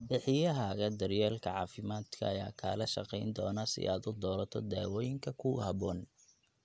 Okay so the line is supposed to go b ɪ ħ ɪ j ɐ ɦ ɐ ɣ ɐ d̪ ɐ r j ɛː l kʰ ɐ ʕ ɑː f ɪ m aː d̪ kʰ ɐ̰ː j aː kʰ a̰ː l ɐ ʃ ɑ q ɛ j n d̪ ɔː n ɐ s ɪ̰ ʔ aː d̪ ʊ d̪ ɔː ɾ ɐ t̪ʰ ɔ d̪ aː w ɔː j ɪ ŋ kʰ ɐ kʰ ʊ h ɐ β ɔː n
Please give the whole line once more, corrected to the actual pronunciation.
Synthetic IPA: b ɪ ħ ɪ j ɐ ɦ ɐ ɣ ɐ d̪ ɐ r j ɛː l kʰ ɐ ʕ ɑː f ɪ m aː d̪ kʰ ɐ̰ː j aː kʰ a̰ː l ɐ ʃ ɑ q ɛ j n d̪ ɔː n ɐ s ɪ̰ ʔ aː d̪ ʊ d̪ ɔː ɾ ɐ t̪ʰ ɔ d̪ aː w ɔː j ɪ ŋ kʰ ɐ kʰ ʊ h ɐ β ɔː n